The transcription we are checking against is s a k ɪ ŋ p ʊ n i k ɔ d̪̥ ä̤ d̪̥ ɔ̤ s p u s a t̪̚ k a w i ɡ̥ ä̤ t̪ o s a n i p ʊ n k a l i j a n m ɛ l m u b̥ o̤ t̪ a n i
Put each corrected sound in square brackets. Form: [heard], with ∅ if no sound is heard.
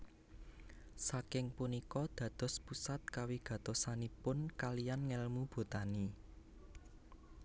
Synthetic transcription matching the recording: s a k ɪ ŋ p [u] n i k ɔ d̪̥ ä̤ d̪̥ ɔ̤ s p u s a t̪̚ k a w i ɡ̥ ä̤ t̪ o s a n i p ʊ n k a l i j a n [ŋ] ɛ l m u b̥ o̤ t̪ a n i